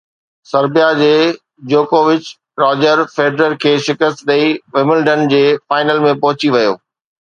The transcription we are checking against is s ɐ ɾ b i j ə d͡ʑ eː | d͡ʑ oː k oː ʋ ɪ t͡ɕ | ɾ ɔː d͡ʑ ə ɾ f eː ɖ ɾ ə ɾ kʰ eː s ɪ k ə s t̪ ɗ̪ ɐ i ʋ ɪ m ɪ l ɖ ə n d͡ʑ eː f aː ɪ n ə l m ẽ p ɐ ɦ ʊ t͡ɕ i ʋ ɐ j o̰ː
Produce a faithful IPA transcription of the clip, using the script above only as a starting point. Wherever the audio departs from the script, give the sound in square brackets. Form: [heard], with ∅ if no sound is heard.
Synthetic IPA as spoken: s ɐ ɾ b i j [a] d͡ʑ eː | d͡ʑ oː k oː ʋ ɪ t͡ɕ | ɾ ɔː d͡ʑ ə ɾ f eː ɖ ɾ ə ɾ kʰ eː [ʃ] ɪ k ə s t̪ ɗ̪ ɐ i ʋ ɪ m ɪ l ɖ ə n d͡ʑ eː f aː ɪ n ə l m ẽ p ɐ ɦ ʊ t͡ɕ i ʋ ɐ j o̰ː